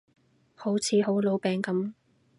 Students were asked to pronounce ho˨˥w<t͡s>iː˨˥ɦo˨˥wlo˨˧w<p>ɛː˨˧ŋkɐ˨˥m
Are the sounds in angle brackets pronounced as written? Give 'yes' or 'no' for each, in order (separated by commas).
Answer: no, yes